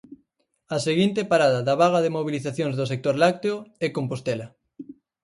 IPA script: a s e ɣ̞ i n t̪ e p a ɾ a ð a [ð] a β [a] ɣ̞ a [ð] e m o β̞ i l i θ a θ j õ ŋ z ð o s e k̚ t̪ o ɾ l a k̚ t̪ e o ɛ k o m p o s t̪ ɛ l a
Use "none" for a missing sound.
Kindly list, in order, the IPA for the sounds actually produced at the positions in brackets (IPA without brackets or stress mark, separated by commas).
ð, a, ð